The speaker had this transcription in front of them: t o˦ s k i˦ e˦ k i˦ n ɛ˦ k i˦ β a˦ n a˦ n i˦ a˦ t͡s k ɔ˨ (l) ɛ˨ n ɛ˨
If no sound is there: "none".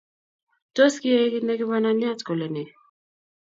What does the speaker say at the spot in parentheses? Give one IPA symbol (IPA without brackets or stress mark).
l